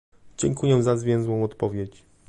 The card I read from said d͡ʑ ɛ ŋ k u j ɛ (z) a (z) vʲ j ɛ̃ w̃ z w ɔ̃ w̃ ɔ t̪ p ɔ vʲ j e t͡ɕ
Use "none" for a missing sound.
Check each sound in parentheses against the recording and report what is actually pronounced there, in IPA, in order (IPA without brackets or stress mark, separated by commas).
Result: z, z